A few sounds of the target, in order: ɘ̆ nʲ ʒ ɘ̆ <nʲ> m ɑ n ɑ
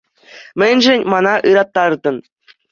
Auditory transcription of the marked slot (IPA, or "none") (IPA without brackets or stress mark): nʲ